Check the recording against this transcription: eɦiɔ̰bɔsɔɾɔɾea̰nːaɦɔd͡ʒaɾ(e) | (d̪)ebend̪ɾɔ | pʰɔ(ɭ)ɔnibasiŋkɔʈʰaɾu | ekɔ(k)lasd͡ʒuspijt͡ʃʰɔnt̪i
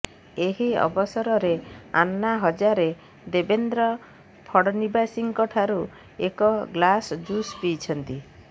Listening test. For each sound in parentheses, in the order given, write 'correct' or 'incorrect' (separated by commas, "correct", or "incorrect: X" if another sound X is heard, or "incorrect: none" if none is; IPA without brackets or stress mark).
correct, correct, incorrect: ɽ, incorrect: ɡ